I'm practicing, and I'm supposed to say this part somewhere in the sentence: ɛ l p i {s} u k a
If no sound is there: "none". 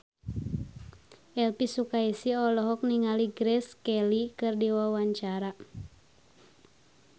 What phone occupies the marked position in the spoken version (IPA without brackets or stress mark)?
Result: s